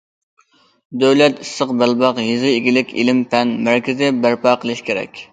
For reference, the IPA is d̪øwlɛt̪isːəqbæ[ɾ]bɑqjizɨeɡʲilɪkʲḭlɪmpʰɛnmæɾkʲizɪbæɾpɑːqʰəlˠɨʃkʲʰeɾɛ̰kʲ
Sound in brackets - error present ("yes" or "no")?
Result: yes